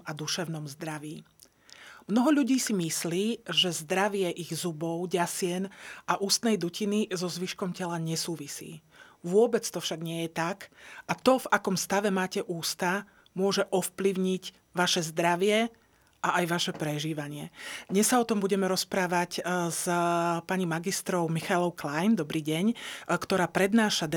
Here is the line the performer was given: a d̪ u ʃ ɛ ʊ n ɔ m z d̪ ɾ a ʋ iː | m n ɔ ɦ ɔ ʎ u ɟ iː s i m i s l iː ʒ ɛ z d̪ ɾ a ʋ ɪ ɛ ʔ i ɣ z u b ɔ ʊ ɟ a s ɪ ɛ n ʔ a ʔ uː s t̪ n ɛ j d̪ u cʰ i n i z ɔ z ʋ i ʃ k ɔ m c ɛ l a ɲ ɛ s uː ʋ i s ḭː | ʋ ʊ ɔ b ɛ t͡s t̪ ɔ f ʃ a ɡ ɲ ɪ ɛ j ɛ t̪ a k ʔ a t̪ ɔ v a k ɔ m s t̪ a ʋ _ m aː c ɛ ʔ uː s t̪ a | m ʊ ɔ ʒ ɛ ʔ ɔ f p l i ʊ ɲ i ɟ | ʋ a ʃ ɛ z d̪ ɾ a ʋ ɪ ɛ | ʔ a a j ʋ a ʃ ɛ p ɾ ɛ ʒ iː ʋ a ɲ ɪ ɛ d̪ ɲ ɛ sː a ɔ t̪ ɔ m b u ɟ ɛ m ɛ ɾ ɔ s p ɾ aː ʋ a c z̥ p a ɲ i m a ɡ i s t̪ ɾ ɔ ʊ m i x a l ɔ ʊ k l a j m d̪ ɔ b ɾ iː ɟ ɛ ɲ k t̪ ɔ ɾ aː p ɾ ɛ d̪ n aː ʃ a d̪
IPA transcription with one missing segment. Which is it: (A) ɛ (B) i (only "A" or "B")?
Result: A